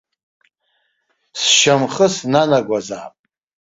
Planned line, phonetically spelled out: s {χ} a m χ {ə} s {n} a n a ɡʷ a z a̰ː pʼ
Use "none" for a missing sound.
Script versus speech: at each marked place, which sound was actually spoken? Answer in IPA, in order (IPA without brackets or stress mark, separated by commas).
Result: ʃ, ə, n